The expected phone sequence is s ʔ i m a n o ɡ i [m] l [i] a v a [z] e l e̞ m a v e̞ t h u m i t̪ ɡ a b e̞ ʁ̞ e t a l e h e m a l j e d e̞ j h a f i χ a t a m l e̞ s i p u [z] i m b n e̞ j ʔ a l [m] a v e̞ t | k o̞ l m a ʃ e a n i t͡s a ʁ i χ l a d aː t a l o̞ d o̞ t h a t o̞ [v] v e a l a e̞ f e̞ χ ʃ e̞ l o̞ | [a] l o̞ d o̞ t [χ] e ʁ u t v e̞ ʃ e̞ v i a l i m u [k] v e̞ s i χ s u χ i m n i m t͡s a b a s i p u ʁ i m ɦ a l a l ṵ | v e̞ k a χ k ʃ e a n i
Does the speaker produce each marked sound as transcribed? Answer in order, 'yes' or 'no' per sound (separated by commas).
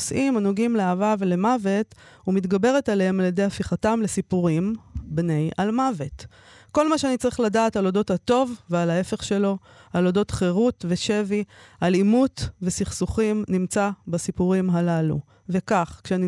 yes, no, no, no, yes, yes, yes, yes, no